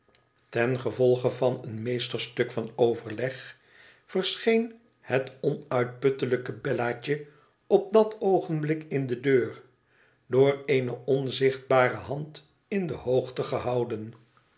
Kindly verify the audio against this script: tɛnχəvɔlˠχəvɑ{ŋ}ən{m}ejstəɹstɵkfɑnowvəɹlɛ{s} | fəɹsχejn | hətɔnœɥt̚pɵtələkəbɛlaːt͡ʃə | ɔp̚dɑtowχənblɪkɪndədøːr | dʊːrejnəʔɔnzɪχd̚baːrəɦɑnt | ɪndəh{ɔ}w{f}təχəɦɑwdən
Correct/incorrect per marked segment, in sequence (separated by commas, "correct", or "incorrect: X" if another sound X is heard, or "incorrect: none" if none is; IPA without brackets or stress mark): incorrect: n, correct, incorrect: χ, incorrect: o, incorrect: χ